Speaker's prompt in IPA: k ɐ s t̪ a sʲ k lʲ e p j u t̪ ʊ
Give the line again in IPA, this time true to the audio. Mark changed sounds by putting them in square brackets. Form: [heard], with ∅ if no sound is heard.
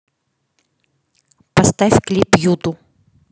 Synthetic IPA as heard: [p] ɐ s t̪ a [fʲ] k lʲ [i] p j u t̪ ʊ